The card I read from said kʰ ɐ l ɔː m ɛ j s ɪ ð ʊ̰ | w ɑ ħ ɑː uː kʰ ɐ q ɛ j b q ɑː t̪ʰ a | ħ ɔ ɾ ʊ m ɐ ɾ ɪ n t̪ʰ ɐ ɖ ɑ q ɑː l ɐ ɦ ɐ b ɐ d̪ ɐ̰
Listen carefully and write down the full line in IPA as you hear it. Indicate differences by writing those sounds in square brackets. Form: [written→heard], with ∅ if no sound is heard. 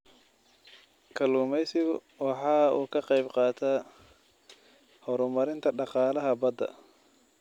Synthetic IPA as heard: kʰ ɐ l [ɔː→uː] m ɛ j s ɪ [ð→ɣ] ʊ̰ | w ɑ ħ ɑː uː kʰ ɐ q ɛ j b q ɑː t̪ʰ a | [ħ→h] ɔ ɾ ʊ m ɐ ɾ ɪ n t̪ʰ ɐ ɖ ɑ q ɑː l ɐ ɦ ɐ b ɐ d̪ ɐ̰

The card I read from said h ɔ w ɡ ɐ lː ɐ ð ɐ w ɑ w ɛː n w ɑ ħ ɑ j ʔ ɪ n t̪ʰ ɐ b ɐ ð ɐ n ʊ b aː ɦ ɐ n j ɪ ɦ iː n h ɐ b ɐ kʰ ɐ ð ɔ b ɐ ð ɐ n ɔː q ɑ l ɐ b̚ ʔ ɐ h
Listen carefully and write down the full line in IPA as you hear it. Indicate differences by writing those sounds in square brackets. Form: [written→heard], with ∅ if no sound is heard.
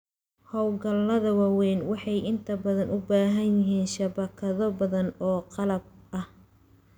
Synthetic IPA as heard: h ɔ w ɡ ɐ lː ɐ ð ɐ w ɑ w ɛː n w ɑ ħ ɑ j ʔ ɪ n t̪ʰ ɐ b ɐ ð ɐ n ʊ b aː ɦ ɐ n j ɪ ɦ iː n [h→ʃ] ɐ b ɐ kʰ ɐ ð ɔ b ɐ ð ɐ n ɔː q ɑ l ɐ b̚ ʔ ɐ h

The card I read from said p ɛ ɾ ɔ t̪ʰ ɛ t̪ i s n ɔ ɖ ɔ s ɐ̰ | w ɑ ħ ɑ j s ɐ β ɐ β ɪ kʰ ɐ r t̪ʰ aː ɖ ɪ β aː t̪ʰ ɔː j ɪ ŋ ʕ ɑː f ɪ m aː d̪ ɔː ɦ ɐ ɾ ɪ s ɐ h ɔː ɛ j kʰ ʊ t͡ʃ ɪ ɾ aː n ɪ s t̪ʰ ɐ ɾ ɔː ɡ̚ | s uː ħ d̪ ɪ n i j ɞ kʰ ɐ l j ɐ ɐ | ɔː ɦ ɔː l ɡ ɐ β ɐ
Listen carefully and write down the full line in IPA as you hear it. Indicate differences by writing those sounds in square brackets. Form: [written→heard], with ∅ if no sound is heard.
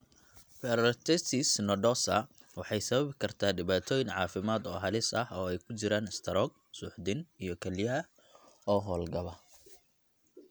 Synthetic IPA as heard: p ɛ ɾ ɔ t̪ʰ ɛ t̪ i s n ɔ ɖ ɔ s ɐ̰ | w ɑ ħ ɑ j s ɐ β ɐ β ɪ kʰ ɐ r t̪ʰ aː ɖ ɪ β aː t̪ʰ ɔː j ɪ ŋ ʕ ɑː f ɪ m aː d̪ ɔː ɦ ɐ [ɾ→l] ɪ s ɐ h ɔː ɛ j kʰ ʊ t͡ʃ ɪ ɾ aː n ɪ s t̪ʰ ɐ ɾ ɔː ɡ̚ | s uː ħ d̪ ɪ n i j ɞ kʰ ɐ l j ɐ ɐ | ɔː ɦ ɔː l ɡ ɐ β ɐ

